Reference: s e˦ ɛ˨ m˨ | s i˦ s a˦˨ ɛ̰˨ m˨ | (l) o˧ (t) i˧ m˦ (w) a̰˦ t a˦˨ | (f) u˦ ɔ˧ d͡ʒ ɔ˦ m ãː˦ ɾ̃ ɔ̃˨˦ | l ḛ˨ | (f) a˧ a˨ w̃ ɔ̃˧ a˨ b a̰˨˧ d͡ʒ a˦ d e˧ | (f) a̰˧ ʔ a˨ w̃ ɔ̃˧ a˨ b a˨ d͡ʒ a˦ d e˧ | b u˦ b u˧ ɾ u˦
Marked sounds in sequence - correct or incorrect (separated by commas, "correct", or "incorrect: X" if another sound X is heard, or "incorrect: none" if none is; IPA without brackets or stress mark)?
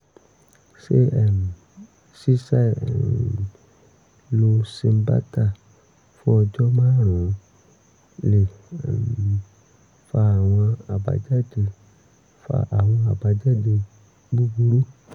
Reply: correct, incorrect: s, incorrect: b, correct, correct, correct